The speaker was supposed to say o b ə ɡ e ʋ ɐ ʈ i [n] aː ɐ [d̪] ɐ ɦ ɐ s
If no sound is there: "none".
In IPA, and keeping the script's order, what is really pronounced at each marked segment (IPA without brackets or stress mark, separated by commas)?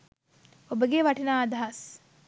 n, d̪